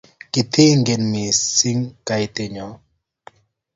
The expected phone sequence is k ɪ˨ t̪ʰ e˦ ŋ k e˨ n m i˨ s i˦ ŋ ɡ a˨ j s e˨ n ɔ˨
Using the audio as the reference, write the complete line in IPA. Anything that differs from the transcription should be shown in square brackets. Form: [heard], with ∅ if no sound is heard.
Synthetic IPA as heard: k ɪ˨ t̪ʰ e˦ ŋ [ɡ] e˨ n m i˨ s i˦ ŋ [k] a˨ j [t] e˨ [ɲ] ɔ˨